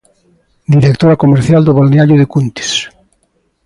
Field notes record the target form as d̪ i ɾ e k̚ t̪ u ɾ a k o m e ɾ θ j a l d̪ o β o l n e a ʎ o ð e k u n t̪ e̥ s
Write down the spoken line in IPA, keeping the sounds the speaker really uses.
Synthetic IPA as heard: d̪ i ɾ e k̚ t̪ o ɾ a k o m e ɾ θ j a l d̪ o β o l n e a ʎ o ð e k u n t̪ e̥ s